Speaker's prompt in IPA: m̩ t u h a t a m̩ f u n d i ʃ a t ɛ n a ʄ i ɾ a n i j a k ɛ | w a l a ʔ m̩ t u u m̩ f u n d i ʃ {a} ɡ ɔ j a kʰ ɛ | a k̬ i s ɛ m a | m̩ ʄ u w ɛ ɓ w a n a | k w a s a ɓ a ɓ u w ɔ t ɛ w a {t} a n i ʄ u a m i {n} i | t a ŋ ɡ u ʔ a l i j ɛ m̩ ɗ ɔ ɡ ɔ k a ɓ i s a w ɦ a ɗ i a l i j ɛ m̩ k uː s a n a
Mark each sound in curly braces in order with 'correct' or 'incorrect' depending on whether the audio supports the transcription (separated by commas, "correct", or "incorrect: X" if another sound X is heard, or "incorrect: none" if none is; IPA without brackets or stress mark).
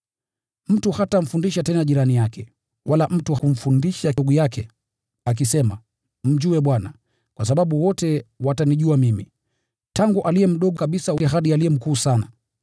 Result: correct, correct, incorrect: m